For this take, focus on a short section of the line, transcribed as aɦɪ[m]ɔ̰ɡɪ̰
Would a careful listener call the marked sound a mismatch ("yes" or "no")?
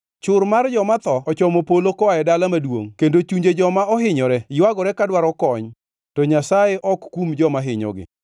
yes